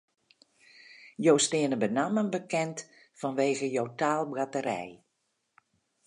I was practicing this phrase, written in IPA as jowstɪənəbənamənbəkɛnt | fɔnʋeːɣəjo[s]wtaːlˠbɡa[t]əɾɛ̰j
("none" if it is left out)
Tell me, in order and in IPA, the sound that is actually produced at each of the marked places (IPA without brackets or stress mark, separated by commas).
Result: none, t